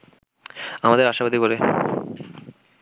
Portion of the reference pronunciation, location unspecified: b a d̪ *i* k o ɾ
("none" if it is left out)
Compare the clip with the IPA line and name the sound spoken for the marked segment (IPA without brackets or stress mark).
i